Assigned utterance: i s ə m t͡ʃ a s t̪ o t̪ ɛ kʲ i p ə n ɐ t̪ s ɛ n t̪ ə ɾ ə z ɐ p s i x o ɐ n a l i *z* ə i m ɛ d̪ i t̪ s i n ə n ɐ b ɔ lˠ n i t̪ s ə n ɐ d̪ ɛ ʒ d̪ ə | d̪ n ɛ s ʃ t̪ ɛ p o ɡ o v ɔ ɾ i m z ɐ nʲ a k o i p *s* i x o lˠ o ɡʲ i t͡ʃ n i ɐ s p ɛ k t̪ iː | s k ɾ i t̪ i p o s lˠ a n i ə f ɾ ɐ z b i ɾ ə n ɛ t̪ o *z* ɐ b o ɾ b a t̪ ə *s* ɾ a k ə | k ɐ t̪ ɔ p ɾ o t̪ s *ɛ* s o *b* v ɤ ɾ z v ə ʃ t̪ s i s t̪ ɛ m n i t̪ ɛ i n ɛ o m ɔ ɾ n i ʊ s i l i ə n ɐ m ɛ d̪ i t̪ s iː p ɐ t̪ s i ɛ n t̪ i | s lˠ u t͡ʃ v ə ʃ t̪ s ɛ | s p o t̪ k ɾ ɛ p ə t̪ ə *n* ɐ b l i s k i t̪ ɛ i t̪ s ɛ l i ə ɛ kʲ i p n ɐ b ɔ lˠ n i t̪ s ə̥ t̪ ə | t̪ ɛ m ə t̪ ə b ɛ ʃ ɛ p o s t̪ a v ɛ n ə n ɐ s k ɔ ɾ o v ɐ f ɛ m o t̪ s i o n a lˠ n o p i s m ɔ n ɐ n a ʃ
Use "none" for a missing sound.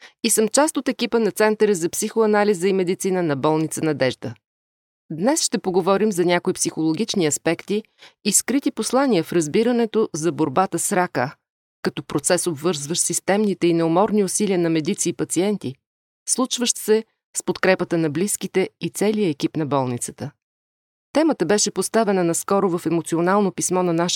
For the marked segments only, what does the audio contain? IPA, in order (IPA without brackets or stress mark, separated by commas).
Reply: z, s, z, s, ɛ, b, n